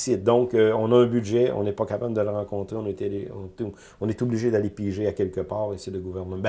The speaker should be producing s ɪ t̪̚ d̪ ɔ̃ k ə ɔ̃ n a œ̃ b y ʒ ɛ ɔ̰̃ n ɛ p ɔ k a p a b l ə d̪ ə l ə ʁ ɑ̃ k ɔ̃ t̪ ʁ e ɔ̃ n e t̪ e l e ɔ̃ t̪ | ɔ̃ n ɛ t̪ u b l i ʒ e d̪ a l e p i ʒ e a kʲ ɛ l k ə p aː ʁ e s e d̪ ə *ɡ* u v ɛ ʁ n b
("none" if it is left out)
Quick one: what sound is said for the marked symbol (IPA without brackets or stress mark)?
ɡ